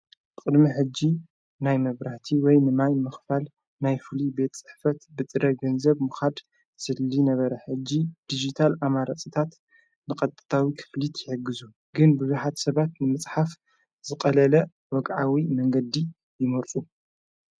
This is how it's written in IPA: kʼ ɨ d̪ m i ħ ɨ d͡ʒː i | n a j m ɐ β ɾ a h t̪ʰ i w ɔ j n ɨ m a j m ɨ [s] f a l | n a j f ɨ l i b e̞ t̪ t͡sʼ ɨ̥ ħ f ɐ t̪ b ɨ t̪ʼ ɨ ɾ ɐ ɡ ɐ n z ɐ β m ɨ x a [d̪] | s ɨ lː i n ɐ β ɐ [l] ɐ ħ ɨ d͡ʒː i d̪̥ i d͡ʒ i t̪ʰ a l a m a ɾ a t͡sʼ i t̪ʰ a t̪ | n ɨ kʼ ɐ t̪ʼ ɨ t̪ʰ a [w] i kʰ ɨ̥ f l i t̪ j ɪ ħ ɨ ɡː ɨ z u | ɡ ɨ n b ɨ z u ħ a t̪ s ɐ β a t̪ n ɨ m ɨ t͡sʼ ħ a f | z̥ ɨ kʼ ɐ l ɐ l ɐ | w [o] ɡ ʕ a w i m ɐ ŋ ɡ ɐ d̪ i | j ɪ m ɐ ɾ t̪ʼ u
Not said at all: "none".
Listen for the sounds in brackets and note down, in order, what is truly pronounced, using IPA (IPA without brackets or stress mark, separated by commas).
x, d̪, ɾ, w, ɔ